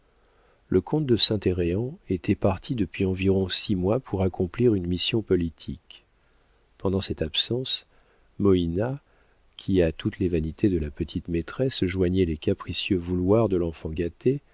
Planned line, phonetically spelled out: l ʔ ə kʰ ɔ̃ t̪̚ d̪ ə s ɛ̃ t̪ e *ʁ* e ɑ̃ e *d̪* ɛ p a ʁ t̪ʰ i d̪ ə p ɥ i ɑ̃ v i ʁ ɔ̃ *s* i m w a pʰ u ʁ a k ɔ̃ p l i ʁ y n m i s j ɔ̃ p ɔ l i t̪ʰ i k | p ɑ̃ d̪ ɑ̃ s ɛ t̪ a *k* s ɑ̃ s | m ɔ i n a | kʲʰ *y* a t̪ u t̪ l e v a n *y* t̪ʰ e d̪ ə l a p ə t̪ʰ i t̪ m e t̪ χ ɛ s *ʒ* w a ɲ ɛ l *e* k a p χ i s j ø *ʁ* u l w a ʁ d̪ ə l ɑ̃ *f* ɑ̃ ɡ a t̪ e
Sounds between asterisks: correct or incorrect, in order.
correct, incorrect: t̪, correct, incorrect: p, incorrect: i, incorrect: i, correct, correct, incorrect: v, correct

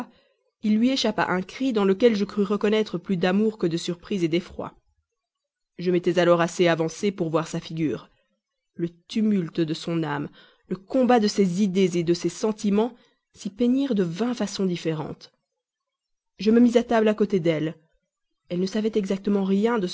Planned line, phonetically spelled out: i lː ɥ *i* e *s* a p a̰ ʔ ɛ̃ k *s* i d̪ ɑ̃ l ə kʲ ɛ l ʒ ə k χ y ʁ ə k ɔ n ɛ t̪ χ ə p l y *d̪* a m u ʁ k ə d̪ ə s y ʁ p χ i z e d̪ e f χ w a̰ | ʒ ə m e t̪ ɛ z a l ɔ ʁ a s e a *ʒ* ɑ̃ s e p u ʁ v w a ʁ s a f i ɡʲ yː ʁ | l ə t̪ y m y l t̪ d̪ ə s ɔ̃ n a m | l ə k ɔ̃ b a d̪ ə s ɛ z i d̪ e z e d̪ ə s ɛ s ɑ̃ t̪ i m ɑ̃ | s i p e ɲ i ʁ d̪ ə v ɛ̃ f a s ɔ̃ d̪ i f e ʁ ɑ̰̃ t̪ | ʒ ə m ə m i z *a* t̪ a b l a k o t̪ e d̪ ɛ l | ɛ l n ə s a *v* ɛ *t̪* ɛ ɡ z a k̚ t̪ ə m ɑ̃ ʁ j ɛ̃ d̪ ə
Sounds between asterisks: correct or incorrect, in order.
correct, incorrect: ʃ, incorrect: χ, correct, incorrect: v, correct, correct, correct

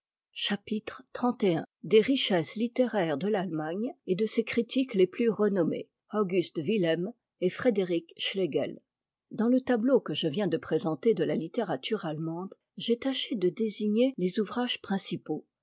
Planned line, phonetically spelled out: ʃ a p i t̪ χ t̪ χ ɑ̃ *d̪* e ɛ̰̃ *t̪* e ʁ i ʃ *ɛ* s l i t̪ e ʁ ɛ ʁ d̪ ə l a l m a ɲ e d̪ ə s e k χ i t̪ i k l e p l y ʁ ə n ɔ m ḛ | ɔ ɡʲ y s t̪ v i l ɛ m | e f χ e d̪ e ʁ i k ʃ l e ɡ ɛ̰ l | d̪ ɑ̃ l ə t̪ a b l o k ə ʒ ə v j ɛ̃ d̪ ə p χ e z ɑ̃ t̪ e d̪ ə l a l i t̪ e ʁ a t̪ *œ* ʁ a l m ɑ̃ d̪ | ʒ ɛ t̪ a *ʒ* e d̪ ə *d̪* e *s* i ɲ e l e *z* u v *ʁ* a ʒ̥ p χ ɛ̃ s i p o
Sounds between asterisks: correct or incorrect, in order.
incorrect: t̪, incorrect: d̪, correct, incorrect: y, incorrect: ʃ, correct, incorrect: z, correct, correct

